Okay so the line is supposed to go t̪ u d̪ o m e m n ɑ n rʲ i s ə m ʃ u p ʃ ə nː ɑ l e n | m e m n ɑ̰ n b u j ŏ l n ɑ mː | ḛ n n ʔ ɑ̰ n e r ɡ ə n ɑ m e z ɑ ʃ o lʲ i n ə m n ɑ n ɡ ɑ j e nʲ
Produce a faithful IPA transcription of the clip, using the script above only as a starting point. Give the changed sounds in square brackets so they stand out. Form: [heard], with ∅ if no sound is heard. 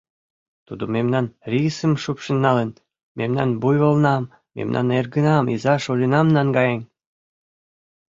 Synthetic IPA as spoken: t̪ u d̪ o m e m n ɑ n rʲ i s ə m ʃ u p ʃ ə nː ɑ l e n | m e m n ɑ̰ n b u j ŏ l n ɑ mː | ḛ [m] n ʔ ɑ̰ n e r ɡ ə n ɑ m [i] z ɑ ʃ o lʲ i n [ɑ] m n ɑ n ɡ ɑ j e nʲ